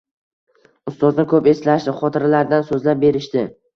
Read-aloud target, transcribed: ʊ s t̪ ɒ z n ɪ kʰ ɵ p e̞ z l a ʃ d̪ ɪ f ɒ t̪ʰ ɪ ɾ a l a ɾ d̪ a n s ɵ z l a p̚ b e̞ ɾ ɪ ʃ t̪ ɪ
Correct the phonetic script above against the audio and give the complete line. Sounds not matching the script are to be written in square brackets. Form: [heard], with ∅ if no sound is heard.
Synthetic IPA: ʊ s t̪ ɒ z n ɪ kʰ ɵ p e̞ [s] l a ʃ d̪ ɪ [χ] ɒ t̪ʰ ɪ ɾ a l a ɾ d̪ a n s ɵ z l a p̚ b e̞ ɾ ɪ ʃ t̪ ɪ